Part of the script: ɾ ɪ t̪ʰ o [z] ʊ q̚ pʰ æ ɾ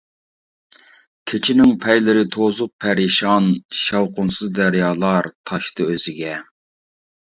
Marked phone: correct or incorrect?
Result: correct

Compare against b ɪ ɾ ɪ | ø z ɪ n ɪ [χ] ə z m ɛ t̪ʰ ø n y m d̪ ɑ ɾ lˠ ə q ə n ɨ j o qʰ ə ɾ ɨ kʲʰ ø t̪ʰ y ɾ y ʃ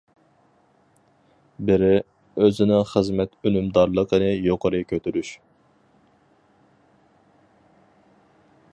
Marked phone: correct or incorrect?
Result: correct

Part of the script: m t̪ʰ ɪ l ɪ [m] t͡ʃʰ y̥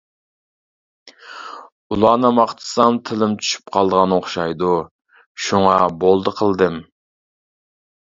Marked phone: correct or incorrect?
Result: correct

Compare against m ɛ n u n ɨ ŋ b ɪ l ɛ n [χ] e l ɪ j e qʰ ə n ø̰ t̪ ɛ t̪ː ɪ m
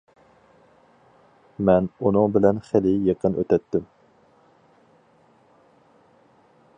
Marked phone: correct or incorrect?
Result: correct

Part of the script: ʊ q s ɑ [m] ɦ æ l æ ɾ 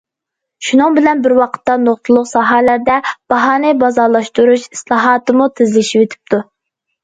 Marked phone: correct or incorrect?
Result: incorrect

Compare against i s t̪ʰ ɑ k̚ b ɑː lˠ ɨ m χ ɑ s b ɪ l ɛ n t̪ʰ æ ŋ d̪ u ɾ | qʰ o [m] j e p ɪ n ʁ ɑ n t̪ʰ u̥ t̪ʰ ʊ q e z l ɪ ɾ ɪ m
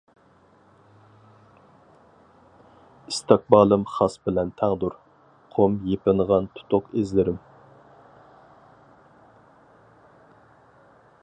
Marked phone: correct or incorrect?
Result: correct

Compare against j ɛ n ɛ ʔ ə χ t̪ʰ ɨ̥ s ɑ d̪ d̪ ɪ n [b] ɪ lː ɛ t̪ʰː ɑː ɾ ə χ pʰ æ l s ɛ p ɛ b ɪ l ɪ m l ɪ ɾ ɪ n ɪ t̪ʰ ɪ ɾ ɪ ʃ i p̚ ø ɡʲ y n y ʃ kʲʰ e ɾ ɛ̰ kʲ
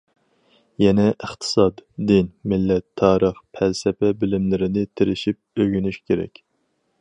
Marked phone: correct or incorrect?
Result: incorrect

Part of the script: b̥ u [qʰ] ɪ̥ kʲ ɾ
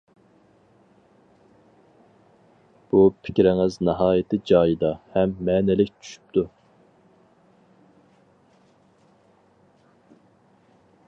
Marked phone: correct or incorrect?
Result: incorrect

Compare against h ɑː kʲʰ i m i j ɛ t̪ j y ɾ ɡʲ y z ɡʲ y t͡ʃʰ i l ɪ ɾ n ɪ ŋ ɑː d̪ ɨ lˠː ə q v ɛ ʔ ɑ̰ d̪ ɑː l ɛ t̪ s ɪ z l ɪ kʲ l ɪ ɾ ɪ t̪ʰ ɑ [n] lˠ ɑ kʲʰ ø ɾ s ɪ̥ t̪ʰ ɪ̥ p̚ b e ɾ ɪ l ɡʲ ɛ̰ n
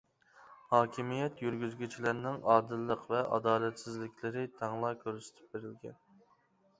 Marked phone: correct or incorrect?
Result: incorrect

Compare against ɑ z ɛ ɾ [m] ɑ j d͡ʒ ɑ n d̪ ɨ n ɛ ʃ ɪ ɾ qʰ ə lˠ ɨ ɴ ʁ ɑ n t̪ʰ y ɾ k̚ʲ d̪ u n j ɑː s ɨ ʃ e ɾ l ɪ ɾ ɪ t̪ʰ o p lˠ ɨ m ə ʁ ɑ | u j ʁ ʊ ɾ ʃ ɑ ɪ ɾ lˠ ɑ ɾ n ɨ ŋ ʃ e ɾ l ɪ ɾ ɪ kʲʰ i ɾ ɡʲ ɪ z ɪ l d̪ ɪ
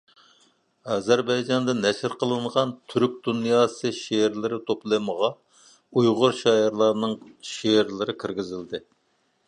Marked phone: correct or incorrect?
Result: incorrect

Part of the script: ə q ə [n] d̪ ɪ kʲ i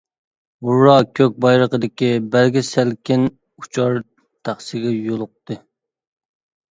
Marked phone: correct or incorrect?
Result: incorrect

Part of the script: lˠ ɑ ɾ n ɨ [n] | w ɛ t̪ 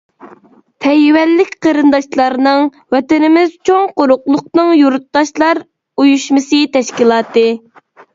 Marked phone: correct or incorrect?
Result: incorrect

